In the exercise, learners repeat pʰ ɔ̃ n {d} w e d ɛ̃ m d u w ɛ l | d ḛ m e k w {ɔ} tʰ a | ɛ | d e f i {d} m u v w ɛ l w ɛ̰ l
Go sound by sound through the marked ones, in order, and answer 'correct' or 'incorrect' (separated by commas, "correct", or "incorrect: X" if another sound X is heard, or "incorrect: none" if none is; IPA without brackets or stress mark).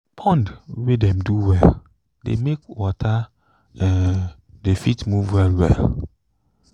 correct, correct, incorrect: t